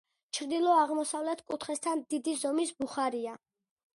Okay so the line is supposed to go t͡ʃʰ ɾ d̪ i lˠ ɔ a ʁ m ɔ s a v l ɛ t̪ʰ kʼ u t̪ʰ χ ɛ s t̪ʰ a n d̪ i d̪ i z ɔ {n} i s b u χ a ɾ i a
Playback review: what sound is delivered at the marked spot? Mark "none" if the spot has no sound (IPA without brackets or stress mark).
m